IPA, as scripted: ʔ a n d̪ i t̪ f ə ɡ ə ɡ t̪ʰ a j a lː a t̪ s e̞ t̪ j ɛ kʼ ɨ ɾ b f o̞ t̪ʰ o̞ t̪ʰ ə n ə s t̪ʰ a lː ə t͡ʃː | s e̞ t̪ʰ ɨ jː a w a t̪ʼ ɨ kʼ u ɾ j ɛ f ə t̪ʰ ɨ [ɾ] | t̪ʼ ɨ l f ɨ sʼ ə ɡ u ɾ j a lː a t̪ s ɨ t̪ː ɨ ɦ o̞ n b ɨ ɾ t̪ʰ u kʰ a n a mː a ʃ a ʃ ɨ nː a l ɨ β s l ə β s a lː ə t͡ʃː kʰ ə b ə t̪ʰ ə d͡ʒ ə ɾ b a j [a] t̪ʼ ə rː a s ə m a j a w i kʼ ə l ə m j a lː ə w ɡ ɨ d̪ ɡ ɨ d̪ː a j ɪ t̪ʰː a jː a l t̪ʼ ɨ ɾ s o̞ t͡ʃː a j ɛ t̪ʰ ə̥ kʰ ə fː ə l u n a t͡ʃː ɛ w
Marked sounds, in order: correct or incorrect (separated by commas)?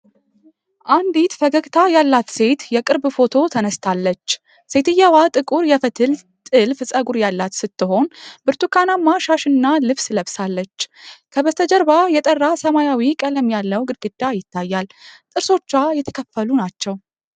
incorrect, incorrect